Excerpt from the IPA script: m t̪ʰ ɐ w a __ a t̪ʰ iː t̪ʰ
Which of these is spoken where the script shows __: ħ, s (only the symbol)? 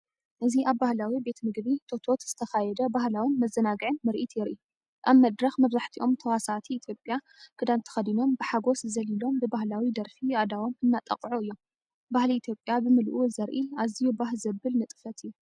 s